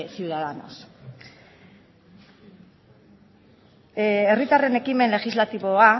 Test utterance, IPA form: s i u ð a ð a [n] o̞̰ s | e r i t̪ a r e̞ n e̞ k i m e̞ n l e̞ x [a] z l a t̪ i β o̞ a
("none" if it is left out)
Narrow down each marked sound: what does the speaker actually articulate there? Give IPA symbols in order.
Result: n, i

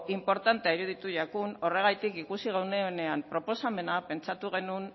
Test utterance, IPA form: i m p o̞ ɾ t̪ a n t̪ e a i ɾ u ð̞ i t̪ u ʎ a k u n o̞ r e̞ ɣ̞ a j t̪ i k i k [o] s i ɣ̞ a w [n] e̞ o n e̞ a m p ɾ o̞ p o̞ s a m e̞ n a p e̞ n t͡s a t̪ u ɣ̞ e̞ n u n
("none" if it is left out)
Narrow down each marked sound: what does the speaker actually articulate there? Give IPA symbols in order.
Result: u, n

